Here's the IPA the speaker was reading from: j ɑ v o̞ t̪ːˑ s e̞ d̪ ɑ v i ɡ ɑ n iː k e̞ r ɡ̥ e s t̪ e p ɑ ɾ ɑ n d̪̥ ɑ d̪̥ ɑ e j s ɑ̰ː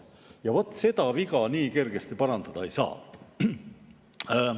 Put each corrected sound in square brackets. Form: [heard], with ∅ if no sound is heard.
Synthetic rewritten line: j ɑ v o̞ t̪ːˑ s e̞ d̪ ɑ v i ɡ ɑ n iː k e̞ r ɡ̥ e s t̪ [i] p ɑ ɾ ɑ n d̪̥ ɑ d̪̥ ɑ e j s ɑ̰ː

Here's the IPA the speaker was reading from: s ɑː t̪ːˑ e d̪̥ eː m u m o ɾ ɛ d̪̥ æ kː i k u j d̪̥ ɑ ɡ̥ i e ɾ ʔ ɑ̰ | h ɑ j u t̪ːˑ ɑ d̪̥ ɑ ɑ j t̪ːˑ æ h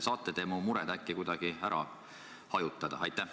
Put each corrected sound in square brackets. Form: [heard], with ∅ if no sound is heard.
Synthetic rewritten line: s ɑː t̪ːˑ e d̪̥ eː m u m [u] ɾ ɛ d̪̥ æ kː i k u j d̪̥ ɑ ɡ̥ i [æ] ɾ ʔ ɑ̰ | h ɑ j u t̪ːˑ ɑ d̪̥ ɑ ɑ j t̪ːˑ æ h

